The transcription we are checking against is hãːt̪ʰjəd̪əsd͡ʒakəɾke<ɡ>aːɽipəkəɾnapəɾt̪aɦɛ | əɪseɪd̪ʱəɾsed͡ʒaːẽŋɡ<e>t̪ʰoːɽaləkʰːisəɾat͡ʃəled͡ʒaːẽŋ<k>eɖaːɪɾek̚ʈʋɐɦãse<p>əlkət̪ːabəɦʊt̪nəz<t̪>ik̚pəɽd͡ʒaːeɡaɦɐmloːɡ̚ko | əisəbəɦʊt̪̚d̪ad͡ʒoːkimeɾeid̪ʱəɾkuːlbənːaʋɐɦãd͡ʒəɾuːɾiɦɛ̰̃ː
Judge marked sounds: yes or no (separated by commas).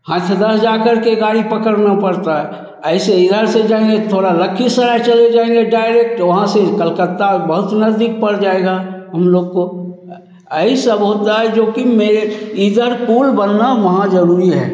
yes, yes, no, no, no